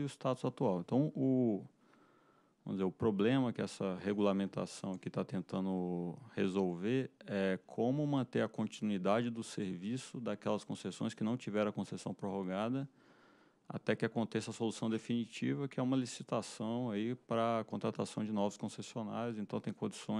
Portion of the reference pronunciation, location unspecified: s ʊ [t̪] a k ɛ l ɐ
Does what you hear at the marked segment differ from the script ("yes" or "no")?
yes